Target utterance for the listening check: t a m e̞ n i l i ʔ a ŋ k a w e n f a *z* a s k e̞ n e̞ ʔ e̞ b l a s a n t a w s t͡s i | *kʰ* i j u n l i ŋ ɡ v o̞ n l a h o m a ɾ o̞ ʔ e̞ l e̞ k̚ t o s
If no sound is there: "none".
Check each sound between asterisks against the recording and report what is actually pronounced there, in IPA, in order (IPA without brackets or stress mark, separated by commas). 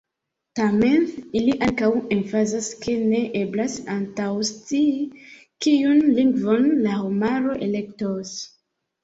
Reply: z, k